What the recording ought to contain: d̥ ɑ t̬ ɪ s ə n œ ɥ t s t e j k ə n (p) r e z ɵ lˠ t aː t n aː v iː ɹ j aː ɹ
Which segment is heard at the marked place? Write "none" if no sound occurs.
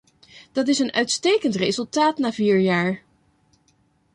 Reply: t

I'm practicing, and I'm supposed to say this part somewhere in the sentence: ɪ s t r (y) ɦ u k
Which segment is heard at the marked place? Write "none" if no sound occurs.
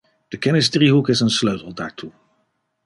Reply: i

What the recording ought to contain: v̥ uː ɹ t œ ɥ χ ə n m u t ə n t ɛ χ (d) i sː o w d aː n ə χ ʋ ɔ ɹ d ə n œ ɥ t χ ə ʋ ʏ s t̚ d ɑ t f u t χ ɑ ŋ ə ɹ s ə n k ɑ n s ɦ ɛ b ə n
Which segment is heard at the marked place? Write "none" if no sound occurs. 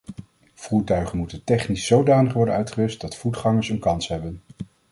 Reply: n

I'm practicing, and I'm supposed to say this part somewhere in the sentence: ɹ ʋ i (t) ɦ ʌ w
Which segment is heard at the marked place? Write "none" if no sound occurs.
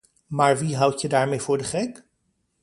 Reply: none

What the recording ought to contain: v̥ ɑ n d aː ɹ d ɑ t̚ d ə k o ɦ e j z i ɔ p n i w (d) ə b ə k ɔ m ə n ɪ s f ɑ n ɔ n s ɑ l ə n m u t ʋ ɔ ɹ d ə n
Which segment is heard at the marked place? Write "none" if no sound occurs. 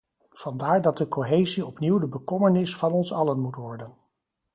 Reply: d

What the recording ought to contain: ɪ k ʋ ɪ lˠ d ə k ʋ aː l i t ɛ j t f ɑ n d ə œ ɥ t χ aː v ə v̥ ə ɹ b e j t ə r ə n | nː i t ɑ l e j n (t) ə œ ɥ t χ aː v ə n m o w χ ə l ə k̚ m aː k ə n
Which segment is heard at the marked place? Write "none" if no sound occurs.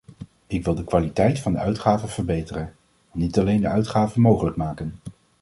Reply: d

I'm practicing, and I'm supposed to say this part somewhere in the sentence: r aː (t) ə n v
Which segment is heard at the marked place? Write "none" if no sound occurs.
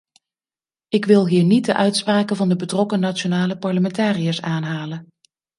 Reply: k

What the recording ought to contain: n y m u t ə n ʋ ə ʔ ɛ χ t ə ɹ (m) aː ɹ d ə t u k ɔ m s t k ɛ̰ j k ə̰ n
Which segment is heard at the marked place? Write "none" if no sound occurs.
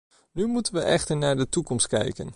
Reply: n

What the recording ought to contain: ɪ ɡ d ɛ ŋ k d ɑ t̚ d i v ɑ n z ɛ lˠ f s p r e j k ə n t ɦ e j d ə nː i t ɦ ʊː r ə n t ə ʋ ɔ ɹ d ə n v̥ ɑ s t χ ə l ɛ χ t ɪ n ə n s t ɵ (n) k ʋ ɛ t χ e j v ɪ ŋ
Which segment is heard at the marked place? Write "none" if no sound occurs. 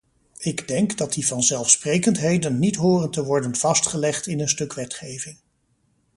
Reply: none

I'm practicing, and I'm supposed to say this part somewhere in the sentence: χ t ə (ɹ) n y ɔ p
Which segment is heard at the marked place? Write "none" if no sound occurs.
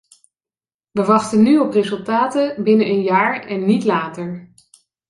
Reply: none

